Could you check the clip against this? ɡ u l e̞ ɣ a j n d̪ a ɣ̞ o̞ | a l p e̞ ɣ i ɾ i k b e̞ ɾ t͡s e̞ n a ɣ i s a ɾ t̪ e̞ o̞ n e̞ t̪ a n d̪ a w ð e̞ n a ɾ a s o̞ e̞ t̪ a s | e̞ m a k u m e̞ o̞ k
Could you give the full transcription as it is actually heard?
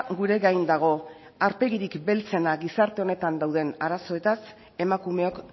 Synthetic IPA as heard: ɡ u ɾ e̞ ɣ a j n d̪ a ɣ̞ o̞ | a ɾ p e̞ ɣ i ɾ i k b e̞ l t͡s e̞ n a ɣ i s a ɾ t̪ e̞ o̞ n e̞ t̪ a n d̪ a w ð e̞ n a ɾ a s o̞ e̞ t̪ a s | e̞ m a k u m e̞ o̞ k